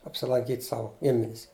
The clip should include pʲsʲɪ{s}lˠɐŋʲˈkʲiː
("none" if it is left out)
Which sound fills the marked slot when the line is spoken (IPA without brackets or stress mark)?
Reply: none